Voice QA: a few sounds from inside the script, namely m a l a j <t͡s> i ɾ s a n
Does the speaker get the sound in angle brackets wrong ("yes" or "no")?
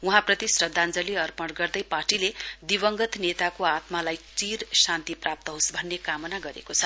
no